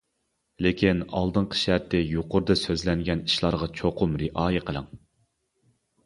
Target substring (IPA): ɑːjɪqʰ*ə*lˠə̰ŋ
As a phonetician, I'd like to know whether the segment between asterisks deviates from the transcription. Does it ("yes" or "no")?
no